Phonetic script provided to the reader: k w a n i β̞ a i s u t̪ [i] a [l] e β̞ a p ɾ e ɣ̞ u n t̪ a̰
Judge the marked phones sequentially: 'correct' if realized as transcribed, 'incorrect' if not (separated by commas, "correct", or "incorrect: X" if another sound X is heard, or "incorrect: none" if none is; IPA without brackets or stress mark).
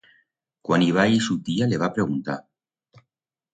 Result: correct, correct